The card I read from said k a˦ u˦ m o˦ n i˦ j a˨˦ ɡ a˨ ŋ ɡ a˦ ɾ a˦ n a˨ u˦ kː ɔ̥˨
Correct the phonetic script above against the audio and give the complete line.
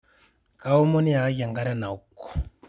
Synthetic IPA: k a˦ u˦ m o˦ n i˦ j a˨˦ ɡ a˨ ŋ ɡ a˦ ɾ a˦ n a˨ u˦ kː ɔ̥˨